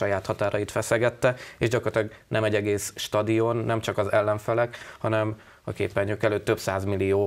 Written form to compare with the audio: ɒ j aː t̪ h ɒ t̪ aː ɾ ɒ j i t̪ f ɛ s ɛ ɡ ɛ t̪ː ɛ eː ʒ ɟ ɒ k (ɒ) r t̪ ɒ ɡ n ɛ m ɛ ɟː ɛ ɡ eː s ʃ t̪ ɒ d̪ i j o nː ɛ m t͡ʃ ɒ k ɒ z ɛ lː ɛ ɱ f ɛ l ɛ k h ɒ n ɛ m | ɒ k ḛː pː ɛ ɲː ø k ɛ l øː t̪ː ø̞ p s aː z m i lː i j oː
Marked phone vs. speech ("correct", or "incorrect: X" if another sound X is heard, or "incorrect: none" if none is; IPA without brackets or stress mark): incorrect: o